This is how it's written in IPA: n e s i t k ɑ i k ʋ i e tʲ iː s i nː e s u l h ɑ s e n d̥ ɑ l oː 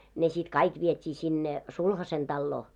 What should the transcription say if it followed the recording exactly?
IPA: n e s i t k ɑ i k ʋ i e tʲ iː s i nː e s u l h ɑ s e n d̥ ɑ lː oː